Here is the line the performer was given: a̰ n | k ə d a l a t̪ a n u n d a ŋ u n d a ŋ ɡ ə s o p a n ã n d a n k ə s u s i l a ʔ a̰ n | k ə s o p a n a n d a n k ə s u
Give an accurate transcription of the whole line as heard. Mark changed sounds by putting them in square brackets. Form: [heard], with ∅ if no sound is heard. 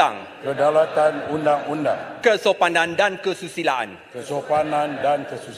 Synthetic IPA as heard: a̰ [ŋ] | k ə d a l a t̪ a n u n d a ŋ u n d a ŋ [k] ə s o p a n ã n d a n k ə s u s i l a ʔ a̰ n | k ə s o p a n a n d a n k ə s u